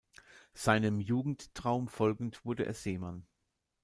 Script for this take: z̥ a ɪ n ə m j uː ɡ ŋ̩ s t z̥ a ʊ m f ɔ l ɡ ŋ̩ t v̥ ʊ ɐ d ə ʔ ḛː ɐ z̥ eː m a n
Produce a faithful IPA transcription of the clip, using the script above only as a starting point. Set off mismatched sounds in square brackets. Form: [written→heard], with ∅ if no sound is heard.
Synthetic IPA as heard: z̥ a ɪ n ə m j uː ɡ ŋ̩ [s→t] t [z̥→ʁ̥] a ʊ m f ɔ l ɡ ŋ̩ t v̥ ʊ ɐ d ə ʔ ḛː ɐ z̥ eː m a n